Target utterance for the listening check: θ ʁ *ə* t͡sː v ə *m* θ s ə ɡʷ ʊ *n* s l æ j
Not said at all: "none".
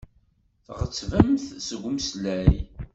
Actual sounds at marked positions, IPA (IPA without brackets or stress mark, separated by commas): ə, m, m